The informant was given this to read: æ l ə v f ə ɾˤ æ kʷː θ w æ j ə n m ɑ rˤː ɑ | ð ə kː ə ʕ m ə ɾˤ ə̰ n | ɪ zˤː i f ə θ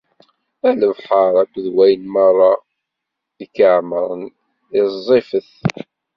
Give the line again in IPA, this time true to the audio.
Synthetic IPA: æ l ə v ħ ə ɾˤ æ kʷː ð w æ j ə n m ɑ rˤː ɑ | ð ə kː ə ʕ m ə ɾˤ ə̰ n | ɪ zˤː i f ə θ

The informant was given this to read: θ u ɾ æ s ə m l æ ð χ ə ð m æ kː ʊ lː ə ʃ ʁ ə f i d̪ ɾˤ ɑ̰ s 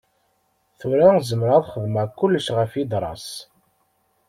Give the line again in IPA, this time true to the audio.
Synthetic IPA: θ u ɾ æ z ə m ɾ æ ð χ ə ð m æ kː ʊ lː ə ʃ ʁ ə f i d̪ ɾˤ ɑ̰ s

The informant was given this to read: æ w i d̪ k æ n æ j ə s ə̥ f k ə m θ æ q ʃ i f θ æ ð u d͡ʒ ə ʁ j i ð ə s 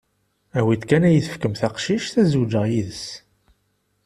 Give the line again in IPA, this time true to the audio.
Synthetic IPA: æ w i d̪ k æ n æ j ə θ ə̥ f k ə m θ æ q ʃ i ʃ θ æ z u d͡ʒ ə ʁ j i ð ə s

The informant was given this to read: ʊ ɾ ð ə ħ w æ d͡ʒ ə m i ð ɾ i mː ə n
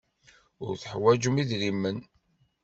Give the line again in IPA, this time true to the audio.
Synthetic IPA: ʊ ɾ θ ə ħ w æ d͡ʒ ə m i ð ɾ i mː ə n

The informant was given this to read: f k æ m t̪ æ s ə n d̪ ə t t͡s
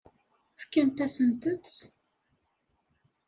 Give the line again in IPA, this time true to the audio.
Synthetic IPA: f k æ n t̪ æ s ə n t̪ ə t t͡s

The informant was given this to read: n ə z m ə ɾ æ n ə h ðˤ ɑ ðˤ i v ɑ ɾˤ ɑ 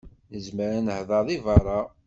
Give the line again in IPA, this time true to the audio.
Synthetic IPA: n ə z m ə ɾ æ n ə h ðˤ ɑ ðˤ i v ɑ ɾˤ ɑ

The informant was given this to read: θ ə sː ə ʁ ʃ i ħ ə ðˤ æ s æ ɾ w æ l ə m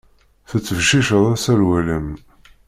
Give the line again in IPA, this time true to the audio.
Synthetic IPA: θ ə t͡sː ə v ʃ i ʃ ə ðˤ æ s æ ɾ w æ l ə m

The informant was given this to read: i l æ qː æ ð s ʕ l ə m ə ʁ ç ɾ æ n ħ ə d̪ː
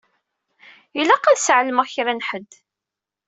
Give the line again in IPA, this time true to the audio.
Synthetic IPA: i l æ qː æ ð s ʕ l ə m ə ʁ ç ɾ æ n ħ ə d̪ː

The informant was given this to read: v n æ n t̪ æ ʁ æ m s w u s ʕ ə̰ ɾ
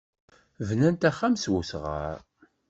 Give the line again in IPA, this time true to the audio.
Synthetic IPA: v n æ n t̪ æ χ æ m s w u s ʁ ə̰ ɾ

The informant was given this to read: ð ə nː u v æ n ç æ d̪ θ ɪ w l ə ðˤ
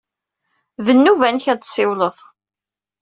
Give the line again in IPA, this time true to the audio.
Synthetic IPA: ð ə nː u v æ n ç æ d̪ s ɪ w l ə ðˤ

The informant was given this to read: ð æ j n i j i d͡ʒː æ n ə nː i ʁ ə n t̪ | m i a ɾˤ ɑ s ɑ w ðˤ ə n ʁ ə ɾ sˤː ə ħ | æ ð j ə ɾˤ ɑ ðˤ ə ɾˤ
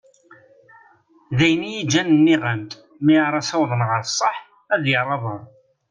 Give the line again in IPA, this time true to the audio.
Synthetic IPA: ð æ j n i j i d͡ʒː æ n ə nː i ʁ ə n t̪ | m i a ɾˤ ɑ s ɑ w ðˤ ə n ʁ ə ɾ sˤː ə ħ | æ ð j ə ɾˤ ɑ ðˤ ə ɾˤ

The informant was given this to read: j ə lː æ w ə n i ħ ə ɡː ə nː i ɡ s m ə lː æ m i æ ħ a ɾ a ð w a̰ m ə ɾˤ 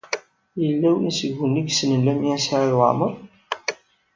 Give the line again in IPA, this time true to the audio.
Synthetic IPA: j ə lː æ w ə n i s ə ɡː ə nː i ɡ s n ə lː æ m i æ s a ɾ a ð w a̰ m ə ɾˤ

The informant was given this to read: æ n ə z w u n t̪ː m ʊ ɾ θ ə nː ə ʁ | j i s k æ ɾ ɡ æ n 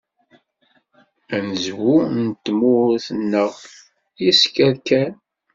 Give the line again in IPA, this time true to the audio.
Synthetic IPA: æ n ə z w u n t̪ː m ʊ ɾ θ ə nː ə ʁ | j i s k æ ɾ k æ n

